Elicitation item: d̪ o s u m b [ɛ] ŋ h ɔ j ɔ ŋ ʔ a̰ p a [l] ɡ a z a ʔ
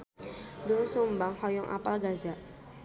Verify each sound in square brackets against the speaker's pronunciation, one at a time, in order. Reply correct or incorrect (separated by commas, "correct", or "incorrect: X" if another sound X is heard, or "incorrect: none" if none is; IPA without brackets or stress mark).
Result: incorrect: a, correct